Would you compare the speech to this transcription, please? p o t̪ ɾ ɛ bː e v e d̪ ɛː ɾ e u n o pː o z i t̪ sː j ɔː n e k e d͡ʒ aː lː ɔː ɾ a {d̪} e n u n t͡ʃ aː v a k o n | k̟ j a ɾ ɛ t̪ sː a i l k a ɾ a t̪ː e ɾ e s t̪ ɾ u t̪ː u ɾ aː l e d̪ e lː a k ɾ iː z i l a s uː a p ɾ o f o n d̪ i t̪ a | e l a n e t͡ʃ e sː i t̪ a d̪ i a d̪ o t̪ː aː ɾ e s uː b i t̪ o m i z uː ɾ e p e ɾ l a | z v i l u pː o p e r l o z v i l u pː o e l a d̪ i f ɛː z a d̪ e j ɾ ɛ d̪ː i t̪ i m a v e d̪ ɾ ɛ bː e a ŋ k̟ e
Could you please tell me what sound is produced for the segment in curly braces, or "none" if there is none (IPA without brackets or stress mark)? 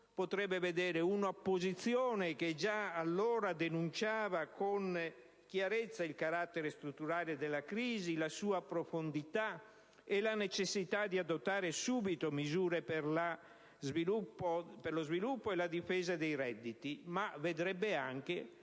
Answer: d̪